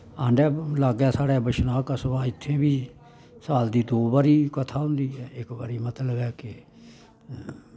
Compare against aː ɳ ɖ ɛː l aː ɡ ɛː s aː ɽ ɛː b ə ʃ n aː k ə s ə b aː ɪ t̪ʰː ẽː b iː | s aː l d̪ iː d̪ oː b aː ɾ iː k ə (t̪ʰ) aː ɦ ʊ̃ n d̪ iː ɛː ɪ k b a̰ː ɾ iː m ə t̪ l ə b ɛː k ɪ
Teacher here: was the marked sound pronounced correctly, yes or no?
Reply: yes